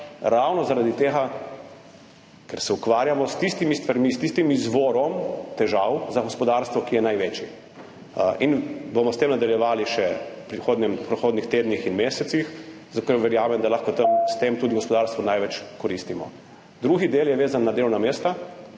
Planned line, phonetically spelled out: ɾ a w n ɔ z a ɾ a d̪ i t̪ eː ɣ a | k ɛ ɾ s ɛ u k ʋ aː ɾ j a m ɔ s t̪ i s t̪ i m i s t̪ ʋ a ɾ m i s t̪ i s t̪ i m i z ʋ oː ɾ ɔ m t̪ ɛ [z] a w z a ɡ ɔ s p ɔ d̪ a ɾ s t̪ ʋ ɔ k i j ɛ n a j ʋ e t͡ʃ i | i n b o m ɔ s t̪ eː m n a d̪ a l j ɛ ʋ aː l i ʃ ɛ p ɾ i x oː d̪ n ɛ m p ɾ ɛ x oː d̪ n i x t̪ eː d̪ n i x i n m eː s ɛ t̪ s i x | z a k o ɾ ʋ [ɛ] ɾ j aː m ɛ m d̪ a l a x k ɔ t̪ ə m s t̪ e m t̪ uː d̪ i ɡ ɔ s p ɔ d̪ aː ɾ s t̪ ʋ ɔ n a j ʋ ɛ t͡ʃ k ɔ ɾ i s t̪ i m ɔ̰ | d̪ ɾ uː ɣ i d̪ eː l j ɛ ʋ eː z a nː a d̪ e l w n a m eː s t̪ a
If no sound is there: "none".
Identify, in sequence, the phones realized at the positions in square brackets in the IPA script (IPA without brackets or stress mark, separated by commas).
ʒ, ɛ